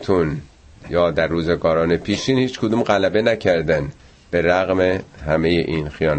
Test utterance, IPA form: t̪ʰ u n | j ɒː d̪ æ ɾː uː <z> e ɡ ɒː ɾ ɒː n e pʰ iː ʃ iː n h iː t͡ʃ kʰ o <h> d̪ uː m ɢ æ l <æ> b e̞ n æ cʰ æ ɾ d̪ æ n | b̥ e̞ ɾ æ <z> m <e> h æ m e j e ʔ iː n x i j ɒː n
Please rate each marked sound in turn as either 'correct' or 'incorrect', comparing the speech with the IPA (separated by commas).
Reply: correct, incorrect, correct, incorrect, correct